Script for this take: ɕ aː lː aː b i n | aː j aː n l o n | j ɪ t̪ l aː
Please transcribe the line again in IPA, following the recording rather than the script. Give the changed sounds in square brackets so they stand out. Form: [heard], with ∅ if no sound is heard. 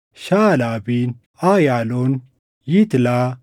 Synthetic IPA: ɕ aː [l] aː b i n | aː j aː [∅] l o n | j [i] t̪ l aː